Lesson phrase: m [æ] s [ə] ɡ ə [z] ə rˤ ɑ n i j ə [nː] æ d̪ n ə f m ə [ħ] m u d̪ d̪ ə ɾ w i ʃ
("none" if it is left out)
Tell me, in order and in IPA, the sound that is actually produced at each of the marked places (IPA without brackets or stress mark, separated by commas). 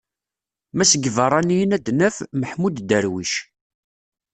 æ, ə, v, n, ħ